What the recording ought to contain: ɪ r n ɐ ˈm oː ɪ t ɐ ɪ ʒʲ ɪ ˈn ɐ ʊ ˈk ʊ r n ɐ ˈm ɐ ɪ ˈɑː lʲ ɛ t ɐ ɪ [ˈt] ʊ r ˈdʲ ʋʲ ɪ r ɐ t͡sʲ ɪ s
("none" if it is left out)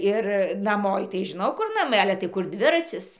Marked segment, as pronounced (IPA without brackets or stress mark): k